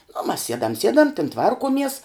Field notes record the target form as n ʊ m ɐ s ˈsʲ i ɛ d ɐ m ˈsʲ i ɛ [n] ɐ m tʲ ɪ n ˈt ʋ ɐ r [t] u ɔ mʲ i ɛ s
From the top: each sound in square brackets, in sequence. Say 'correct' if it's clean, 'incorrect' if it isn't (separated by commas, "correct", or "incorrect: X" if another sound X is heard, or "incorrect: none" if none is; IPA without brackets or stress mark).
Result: incorrect: d, incorrect: k